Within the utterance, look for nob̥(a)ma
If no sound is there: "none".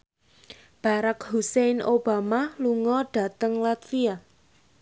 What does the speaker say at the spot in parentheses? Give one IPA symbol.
a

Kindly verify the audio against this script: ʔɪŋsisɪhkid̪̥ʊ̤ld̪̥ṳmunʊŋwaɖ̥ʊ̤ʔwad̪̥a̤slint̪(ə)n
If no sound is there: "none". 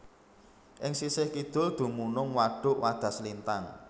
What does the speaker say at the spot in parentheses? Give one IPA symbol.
a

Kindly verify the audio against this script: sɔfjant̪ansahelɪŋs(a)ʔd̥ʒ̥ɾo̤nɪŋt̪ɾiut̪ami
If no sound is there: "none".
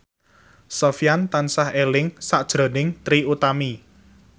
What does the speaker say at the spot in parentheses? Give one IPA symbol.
a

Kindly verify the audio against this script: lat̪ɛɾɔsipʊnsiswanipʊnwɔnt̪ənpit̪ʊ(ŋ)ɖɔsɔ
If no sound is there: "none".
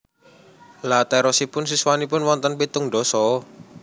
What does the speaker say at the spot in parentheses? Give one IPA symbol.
ŋ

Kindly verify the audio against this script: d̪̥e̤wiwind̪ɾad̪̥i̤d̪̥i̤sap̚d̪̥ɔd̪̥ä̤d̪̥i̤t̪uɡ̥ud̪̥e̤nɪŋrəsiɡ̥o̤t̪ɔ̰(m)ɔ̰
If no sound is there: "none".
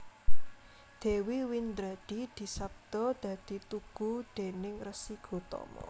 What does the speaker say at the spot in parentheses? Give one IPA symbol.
m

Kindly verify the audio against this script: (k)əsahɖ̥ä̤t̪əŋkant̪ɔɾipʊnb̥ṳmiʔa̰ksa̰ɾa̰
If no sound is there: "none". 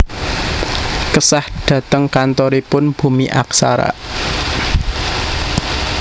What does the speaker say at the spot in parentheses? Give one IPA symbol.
k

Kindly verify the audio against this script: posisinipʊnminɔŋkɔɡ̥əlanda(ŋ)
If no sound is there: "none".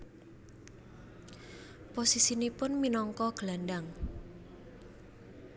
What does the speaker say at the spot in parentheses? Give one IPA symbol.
ŋ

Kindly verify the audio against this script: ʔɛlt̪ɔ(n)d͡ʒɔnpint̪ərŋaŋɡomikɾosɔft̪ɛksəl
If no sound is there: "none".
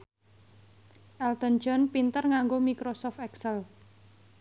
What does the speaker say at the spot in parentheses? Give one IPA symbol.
n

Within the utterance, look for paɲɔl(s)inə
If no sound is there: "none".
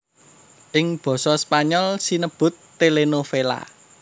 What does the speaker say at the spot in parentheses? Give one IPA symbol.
s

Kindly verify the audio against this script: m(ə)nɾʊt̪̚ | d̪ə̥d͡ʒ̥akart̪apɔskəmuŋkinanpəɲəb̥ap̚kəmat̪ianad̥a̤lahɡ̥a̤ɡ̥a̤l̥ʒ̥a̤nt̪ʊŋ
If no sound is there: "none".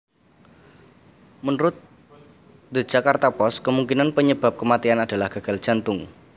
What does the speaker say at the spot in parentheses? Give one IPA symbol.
ə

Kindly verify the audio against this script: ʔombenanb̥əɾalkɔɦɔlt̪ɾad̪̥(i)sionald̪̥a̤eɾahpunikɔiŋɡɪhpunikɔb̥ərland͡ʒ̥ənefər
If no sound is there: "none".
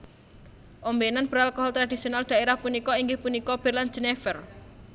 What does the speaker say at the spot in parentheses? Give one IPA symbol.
i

